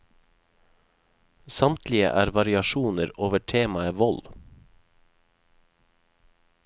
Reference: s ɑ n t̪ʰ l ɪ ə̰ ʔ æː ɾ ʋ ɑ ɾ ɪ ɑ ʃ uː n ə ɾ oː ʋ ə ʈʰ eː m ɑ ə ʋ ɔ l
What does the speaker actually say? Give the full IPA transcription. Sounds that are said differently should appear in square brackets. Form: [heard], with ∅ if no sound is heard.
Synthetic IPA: s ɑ [m] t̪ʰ l ɪ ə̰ ʔ æː ɾ ʋ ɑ ɾ ɪ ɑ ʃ uː n ə ɾ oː ʋ ə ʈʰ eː m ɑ ə ʋ ɔ l